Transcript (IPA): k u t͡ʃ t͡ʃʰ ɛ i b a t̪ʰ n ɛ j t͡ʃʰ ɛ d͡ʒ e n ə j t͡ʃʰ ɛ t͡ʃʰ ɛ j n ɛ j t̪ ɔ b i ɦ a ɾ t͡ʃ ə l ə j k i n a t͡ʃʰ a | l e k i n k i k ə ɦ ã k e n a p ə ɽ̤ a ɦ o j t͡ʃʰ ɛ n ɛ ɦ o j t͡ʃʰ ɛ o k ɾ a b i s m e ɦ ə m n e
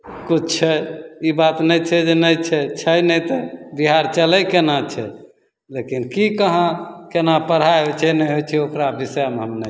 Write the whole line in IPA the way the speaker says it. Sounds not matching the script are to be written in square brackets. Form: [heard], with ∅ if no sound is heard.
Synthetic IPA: k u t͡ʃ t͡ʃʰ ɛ i b a [t̪] n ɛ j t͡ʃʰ ɛ d͡ʒ e n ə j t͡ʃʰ ɛ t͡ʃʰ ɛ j n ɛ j t̪ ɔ b i ɦ a ɾ t͡ʃ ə l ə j k [e] n a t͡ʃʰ [ɛ] | l e k i n k i k ə ɦ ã k e n a p ə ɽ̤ a ɦ o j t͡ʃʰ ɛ n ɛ ɦ o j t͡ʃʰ ɛ o k ɾ a b i s m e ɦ ə m n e